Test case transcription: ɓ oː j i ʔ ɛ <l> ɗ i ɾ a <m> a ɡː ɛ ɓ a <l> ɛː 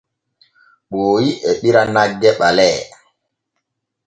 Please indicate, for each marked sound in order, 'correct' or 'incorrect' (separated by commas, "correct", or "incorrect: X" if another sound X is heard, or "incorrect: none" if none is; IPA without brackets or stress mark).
incorrect: none, incorrect: n, correct